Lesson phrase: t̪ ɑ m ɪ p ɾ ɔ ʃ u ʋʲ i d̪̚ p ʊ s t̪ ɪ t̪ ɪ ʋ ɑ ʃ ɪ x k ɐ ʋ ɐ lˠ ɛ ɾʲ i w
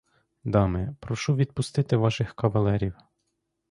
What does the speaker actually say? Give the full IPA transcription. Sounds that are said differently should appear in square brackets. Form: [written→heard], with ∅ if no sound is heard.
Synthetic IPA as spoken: [t̪→d̪] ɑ m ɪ p ɾ ɔ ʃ u ʋʲ i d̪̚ p ʊ s t̪ ɪ t̪ ɪ ʋ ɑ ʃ ɪ x k ɐ ʋ ɐ lˠ ɛ ɾʲ i w